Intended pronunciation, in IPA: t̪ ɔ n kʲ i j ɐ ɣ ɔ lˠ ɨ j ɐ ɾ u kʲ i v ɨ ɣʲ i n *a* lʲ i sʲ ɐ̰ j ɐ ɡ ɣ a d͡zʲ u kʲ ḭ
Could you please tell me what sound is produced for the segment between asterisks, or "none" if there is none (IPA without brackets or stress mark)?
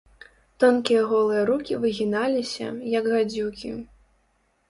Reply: a